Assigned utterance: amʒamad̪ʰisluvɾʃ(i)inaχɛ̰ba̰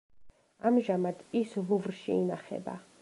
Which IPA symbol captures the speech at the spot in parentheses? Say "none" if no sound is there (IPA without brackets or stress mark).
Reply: i